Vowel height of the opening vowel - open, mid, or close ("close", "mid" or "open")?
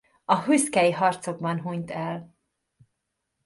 open